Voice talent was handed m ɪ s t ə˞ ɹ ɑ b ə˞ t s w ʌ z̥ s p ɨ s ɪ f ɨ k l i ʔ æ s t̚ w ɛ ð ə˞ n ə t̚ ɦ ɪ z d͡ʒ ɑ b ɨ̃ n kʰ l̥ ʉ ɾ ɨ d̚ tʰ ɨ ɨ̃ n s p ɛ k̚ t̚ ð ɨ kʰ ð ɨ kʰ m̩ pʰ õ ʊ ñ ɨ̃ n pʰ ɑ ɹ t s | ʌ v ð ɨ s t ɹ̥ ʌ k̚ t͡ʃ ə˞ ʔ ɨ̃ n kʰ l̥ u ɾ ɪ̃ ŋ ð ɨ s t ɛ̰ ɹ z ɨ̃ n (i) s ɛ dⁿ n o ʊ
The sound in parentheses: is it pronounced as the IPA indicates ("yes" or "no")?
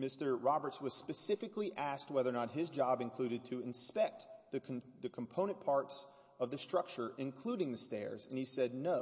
yes